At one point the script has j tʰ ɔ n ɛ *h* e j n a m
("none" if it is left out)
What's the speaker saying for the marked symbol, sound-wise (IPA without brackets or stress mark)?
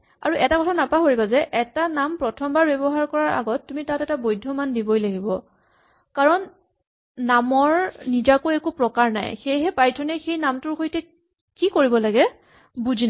x